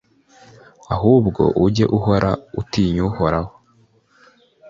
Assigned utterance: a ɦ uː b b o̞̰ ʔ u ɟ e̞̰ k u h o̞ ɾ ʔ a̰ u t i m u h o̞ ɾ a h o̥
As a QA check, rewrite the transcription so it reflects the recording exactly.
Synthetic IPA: a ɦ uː b ɡ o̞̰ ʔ u ɟ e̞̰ ʔ u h o̞ ɾ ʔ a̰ u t i ɲ u h o̞ ɾ a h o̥